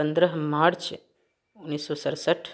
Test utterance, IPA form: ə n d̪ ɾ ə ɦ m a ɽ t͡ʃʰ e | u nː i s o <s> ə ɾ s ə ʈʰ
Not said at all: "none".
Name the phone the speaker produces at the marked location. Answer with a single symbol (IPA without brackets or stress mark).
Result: s